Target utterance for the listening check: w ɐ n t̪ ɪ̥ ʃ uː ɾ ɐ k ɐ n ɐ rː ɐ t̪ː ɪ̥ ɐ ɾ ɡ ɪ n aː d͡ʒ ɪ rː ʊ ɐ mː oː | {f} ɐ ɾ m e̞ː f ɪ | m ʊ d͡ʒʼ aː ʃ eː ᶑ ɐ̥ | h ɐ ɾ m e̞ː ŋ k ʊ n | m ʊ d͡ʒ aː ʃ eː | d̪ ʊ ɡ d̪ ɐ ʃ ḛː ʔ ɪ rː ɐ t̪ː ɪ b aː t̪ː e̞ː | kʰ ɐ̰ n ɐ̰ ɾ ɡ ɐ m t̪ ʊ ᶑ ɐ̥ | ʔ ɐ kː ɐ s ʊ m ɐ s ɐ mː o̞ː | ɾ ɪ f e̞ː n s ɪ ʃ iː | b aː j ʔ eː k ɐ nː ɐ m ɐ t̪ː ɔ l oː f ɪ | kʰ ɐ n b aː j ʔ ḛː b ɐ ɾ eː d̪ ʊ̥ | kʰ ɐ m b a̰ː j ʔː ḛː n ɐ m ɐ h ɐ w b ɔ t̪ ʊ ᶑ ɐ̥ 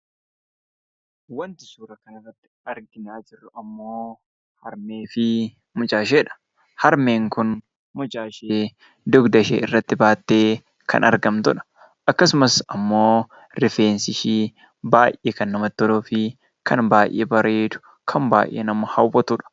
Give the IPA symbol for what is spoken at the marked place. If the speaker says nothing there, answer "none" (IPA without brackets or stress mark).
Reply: h